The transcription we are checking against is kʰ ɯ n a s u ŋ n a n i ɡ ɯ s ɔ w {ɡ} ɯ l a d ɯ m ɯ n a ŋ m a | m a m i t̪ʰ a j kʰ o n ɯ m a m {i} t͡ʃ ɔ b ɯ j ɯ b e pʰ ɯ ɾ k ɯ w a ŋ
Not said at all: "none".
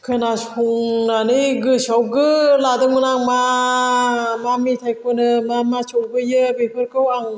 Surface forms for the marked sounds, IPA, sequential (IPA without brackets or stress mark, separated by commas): ɡ, a